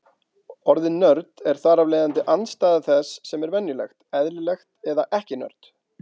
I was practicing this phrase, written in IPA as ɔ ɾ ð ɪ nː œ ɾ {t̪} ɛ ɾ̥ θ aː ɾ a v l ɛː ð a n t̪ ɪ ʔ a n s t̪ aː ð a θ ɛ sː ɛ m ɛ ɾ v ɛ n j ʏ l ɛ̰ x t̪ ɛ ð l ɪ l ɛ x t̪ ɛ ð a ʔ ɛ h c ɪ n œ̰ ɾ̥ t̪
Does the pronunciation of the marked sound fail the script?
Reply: no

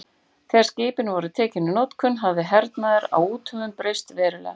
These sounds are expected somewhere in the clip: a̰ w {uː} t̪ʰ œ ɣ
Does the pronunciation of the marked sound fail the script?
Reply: no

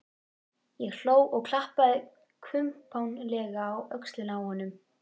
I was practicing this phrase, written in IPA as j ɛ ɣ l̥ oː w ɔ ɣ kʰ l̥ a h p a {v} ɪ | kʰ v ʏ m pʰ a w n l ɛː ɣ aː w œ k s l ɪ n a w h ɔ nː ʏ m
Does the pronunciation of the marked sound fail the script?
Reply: yes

